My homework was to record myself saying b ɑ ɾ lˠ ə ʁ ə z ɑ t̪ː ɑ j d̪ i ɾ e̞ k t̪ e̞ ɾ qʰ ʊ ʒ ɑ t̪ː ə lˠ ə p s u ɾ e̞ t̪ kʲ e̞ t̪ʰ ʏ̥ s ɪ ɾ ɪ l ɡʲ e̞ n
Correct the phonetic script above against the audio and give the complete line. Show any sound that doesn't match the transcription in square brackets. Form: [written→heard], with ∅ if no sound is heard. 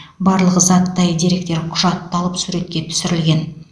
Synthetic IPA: b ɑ ɾ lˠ ə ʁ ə z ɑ t̪ː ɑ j d̪ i ɾ e̞ k t̪ e̞ ɾ qʰ ʊ ʒ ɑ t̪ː [ə→ɑ] lˠ ə p s u ɾ e̞ t̪ kʲ e̞ t̪ʰ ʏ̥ s ɪ ɾ ɪ l ɡʲ e̞ n

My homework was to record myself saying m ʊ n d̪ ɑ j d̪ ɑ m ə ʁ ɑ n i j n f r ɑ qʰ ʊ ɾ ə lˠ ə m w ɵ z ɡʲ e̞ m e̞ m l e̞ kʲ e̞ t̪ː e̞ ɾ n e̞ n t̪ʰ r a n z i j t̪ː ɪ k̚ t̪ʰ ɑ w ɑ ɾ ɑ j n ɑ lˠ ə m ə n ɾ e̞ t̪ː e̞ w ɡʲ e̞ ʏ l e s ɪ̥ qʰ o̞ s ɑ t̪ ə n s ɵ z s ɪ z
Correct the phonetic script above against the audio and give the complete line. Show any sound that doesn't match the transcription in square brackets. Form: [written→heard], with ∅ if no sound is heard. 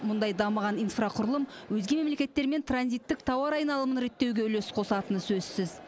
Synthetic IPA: m ʊ n d̪ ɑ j d̪ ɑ m ə ʁ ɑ n i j n f r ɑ qʰ ʊ ɾ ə lˠ ə m w ɵ z ɡʲ e̞ m e̞ m l e̞ kʲ e̞ t̪ː e̞ ɾ [n→m] e̞ n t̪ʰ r a n z i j t̪ː ɪ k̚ t̪ʰ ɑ w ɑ ɾ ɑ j n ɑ lˠ ə m ə n ɾ e̞ t̪ː e̞ w ɡʲ e̞ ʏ l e s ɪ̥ qʰ o̞ s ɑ t̪ ə n s ɵ z s ɪ z

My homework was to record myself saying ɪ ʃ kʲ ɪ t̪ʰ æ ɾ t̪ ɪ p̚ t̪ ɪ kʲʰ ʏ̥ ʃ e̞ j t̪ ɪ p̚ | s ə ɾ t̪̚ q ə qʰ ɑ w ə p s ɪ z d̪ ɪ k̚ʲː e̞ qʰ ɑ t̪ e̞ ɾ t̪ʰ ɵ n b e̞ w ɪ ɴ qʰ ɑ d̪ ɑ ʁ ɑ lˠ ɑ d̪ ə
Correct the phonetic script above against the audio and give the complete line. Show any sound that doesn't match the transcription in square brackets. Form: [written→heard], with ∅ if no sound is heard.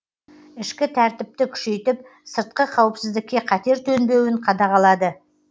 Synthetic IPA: ɪ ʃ kʲ ɪ t̪ʰ æ ɾ t̪ ɪ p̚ t̪ ɪ kʲʰ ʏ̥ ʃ e̞ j t̪ ɪ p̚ | s ə ɾ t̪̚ q ə qʰ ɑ w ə p s ɪ z d̪ ɪ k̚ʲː e̞ qʰ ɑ t̪ e̞ ɾ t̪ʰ ɵ n b e̞ w ɪ ɴ qʰ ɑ d̪ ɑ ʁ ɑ lˠ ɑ d̪ ə

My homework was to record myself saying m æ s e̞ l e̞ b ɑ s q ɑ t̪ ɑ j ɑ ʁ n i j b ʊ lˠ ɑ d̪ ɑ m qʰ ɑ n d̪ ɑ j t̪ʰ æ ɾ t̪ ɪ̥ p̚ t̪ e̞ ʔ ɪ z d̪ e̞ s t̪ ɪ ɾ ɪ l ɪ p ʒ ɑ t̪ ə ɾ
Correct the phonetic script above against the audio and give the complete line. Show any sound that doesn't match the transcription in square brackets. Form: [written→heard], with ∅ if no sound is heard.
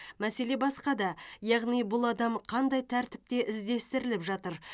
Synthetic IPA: m æ s e̞ l e̞ b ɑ s q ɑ [t̪→d̪] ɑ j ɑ ʁ n i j b ʊ lˠ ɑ d̪ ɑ m qʰ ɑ n d̪ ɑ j t̪ʰ æ ɾ t̪ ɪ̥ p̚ t̪ e̞ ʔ ɪ z d̪ e̞ s t̪ ɪ ɾ ɪ l ɪ p ʒ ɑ t̪ ə ɾ

